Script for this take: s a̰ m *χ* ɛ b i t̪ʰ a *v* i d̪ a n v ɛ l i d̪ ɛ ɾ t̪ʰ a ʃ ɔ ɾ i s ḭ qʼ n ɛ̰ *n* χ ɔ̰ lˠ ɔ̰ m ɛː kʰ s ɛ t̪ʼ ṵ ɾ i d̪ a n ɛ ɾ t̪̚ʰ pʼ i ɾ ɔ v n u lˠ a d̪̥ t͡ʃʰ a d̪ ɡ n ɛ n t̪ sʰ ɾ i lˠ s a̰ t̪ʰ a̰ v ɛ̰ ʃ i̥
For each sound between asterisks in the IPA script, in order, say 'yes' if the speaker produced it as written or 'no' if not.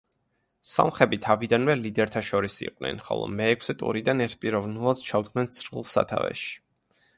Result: yes, yes, yes

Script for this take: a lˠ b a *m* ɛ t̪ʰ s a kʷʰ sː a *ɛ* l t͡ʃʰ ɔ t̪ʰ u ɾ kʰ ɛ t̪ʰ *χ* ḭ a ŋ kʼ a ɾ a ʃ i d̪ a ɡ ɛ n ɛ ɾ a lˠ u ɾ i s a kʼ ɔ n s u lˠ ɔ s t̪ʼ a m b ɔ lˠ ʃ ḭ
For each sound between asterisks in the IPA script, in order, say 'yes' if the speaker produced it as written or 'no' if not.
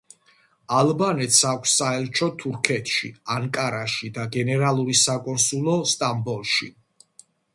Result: no, yes, no

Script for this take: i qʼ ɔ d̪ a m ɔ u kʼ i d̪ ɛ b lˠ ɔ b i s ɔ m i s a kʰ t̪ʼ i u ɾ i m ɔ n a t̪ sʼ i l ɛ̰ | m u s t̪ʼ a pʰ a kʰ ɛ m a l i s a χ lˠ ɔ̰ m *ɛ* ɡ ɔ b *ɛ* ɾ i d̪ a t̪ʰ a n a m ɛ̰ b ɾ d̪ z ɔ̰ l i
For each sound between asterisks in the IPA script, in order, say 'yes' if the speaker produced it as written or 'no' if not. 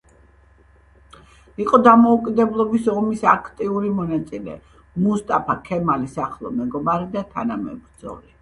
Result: yes, no

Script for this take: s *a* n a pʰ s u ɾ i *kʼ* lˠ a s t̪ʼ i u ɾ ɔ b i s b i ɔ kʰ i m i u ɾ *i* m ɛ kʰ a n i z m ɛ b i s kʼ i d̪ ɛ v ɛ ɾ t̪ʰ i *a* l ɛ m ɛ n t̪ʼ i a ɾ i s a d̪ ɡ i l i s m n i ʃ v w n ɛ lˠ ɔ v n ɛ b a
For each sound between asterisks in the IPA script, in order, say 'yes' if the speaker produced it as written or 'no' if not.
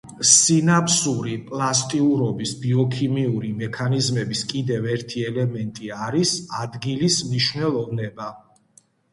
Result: no, no, yes, no

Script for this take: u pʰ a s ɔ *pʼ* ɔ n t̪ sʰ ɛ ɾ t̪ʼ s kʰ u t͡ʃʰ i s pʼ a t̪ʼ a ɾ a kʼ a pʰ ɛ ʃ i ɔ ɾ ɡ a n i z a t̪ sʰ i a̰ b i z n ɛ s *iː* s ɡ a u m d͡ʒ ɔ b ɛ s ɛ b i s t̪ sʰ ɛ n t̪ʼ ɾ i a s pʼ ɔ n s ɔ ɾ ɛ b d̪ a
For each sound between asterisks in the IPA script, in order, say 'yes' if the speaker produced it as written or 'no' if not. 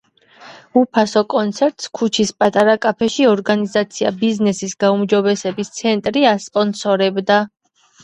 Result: no, no

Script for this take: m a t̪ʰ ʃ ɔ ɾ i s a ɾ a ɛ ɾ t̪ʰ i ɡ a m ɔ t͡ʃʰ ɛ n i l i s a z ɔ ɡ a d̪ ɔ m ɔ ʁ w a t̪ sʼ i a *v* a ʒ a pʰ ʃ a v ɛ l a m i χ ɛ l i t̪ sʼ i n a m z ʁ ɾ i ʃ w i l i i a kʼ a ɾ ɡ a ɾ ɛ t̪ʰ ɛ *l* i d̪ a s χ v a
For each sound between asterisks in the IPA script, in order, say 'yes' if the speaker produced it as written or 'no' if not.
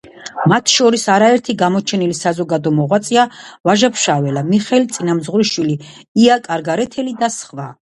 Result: yes, yes

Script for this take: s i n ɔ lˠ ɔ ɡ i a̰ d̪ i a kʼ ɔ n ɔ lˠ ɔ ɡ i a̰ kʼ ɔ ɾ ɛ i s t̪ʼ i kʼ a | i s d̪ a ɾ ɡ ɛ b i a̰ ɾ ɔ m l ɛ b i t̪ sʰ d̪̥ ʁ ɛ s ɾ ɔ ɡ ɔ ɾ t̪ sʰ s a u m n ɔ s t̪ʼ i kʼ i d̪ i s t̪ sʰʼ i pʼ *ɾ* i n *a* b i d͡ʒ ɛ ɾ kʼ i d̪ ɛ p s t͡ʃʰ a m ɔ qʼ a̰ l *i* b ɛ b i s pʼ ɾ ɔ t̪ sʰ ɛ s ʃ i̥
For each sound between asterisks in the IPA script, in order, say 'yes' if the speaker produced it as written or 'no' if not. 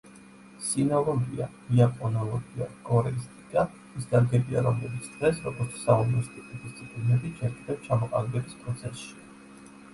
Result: no, no, no

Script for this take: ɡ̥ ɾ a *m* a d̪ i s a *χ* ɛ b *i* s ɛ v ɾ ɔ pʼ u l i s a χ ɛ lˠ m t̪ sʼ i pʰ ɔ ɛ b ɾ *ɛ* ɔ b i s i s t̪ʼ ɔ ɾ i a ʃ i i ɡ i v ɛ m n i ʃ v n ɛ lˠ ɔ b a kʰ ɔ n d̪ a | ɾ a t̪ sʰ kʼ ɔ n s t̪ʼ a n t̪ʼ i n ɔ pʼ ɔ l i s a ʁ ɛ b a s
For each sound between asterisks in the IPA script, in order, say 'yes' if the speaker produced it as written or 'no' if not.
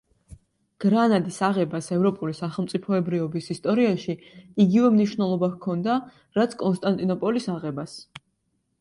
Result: no, no, no, no

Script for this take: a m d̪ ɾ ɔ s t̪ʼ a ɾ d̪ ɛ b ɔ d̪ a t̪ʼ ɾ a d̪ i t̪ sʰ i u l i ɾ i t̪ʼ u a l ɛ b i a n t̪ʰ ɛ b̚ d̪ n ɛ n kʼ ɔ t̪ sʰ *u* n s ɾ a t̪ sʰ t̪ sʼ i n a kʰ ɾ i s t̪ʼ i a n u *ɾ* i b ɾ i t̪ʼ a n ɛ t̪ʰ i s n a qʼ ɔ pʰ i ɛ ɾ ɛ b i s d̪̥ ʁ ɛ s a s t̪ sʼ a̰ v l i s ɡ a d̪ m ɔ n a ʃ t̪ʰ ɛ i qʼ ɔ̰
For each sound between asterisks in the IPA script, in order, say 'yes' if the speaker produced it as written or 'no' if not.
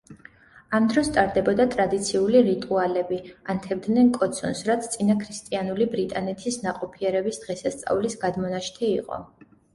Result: no, no

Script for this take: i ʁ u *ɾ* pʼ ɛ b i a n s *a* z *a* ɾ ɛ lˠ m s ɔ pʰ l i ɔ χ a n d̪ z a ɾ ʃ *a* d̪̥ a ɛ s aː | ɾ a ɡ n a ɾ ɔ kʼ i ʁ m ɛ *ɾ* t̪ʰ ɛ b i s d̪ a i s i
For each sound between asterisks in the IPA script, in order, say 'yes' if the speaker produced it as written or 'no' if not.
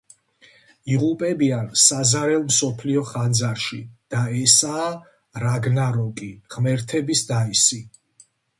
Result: no, yes, yes, no, yes

